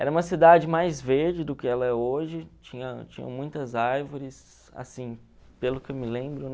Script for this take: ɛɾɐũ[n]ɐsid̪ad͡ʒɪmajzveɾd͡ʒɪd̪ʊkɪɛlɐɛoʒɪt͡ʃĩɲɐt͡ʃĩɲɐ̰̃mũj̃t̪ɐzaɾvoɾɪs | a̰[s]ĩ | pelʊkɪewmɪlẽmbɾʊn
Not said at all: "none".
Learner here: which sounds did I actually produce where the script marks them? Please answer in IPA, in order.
m, s

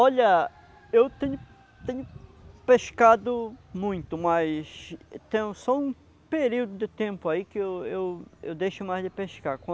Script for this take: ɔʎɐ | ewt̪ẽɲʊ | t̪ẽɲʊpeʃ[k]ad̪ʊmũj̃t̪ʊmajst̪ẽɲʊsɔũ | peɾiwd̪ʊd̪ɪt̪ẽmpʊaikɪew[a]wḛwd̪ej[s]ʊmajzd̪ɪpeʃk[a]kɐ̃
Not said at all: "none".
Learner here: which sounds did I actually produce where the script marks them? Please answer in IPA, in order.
k, e, ʃ, a

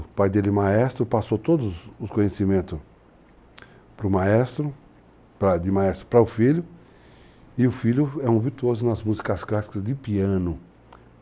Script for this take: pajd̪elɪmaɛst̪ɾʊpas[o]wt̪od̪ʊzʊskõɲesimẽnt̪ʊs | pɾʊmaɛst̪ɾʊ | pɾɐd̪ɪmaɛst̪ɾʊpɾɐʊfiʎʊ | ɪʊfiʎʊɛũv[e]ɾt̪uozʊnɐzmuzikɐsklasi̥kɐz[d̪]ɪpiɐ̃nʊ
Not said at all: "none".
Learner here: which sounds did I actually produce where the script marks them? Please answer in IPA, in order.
o, i, d̪

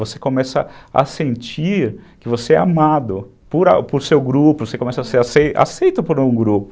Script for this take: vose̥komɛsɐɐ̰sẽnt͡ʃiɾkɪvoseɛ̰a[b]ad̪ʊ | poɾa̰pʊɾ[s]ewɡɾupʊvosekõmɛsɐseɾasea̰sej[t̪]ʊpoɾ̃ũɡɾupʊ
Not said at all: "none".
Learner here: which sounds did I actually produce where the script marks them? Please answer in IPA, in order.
m, s, t̪

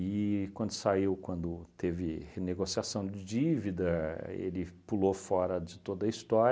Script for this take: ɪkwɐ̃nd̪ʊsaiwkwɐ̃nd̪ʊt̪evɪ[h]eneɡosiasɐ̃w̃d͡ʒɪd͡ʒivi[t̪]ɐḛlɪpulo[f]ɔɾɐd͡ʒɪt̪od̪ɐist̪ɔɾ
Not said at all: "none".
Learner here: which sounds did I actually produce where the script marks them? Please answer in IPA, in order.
h, d̪, f

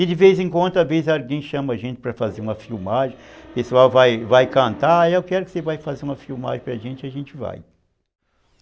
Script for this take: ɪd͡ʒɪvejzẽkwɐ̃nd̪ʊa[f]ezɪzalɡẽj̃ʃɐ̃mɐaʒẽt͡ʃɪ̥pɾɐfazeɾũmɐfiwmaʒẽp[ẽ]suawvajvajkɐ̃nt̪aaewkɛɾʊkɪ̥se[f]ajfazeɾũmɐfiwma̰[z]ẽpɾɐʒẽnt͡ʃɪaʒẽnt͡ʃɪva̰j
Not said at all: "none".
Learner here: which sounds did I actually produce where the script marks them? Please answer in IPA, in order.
v, e, v, ʒ

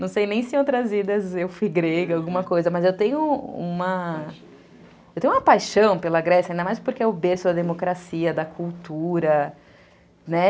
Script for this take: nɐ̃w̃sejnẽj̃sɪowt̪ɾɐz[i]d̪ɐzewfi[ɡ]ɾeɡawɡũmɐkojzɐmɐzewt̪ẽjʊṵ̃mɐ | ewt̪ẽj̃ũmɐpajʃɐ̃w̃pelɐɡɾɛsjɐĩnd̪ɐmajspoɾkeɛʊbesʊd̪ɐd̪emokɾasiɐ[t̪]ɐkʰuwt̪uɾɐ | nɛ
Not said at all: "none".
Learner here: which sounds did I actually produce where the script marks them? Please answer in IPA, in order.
i, ɡ, d̪

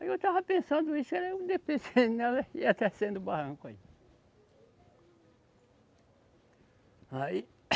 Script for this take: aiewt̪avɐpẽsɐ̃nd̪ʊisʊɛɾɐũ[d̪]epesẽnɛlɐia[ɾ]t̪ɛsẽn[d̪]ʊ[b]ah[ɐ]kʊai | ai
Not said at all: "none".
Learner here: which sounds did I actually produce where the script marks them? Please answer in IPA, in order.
d̪, none, d̪, b, ɐ̃

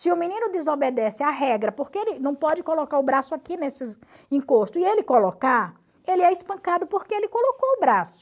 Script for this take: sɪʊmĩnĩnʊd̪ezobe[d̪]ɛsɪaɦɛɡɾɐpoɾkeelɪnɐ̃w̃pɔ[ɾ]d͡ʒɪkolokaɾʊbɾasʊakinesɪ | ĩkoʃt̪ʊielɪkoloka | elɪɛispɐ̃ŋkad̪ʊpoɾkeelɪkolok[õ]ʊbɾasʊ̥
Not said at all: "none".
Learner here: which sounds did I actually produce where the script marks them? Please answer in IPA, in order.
d̪, none, o

